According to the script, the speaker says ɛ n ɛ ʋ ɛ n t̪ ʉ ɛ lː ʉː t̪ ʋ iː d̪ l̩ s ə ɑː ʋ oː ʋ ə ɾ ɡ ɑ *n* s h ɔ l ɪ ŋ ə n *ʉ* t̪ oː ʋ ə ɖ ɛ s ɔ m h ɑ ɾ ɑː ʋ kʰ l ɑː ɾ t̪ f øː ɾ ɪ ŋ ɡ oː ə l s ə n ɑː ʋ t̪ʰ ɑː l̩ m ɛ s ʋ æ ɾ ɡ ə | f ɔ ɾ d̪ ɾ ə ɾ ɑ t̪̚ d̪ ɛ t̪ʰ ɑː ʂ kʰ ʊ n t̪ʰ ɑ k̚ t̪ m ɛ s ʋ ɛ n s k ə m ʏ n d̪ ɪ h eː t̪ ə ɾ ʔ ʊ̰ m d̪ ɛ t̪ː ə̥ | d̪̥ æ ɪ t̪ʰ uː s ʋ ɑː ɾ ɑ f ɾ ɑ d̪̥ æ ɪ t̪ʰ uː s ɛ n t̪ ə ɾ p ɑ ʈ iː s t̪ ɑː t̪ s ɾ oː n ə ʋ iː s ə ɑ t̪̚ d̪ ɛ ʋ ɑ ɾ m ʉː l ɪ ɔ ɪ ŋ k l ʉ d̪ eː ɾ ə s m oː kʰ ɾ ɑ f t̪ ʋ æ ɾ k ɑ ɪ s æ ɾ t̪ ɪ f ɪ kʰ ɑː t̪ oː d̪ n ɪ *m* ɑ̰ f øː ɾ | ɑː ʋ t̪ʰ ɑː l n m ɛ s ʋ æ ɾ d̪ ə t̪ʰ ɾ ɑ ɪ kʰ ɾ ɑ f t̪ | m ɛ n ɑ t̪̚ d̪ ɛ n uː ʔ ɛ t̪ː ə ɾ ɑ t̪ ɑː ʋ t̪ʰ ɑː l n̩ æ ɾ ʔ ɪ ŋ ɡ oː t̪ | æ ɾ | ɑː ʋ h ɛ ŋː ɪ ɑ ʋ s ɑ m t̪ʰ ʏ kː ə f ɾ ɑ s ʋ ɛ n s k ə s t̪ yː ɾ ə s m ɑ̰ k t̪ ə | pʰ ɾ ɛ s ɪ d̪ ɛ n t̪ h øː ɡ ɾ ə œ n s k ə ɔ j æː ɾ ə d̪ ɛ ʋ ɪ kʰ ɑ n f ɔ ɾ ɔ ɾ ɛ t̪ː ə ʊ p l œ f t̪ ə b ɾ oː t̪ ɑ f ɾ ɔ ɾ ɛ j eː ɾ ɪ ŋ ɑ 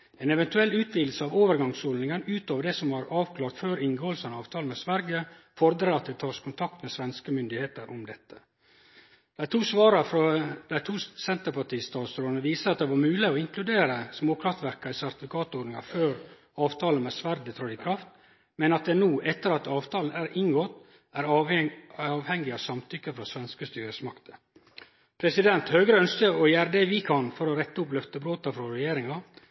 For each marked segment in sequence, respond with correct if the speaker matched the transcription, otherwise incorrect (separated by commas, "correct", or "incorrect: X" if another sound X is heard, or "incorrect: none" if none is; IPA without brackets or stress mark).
incorrect: ŋ, incorrect: ʉː, incorrect: ŋ